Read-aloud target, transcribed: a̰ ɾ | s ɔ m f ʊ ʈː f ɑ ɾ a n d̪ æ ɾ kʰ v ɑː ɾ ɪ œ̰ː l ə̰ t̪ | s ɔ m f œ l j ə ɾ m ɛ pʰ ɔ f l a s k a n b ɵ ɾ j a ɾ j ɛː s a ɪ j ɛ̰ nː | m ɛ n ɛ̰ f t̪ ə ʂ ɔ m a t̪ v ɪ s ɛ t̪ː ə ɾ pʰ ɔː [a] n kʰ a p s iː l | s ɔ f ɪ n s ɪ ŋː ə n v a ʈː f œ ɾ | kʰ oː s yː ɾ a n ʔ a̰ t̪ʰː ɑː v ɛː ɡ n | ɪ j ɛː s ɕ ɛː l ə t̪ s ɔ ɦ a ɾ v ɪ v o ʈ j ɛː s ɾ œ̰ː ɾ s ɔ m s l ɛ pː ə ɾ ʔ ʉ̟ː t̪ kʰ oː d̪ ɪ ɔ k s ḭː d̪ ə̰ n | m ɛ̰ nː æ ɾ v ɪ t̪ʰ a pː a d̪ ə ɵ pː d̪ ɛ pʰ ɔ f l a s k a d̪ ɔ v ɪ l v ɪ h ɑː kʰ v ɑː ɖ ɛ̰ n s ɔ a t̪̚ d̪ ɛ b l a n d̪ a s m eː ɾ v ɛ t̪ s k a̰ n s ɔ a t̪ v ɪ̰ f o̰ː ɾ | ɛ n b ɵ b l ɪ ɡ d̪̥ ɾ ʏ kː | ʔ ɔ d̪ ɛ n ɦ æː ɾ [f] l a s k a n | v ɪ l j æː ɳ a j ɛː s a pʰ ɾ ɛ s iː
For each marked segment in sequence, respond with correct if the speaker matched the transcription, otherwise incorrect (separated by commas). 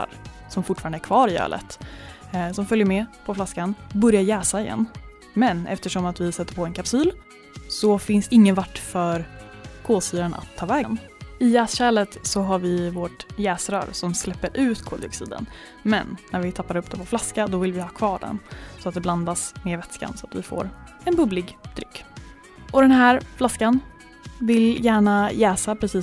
incorrect, correct